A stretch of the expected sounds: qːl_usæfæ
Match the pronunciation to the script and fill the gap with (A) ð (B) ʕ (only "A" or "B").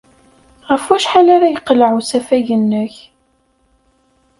B